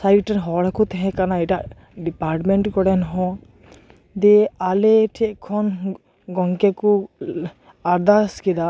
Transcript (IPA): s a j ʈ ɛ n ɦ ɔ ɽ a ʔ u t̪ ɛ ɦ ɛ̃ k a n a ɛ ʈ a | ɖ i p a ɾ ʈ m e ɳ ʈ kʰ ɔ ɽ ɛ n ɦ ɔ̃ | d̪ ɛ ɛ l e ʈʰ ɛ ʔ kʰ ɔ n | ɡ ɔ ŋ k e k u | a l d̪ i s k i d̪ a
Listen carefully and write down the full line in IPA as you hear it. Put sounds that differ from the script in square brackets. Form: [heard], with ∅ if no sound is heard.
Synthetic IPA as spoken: s a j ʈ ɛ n ɦ ɔ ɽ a [k] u t̪ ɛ ɦ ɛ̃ k a n a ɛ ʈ a | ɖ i p a ɾ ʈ m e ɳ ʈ [k] ɔ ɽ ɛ n ɦ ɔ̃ | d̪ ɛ [a] l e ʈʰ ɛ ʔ kʰ ɔ n | ɡ ɔ ŋ k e k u | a [ɾ] d̪ [a] s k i d̪ a